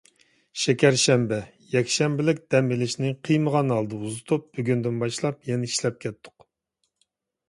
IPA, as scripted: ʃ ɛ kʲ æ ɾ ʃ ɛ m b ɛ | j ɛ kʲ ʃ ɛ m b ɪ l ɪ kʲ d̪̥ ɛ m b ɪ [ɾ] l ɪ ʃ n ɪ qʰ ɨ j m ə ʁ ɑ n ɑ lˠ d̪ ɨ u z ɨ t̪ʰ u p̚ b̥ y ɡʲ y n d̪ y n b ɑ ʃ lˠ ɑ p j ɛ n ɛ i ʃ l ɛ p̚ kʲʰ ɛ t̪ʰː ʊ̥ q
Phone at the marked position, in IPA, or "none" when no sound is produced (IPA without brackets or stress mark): none